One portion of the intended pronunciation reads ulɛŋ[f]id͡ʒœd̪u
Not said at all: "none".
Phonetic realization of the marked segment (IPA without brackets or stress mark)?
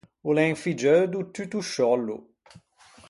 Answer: f